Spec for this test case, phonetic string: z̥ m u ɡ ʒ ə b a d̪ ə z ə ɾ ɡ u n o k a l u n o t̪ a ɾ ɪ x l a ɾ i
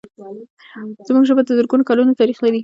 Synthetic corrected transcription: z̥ m u ɡ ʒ ə b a d̪ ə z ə ɾ ɡ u n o k a l u n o t̪ a ɾ i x l a ɾ i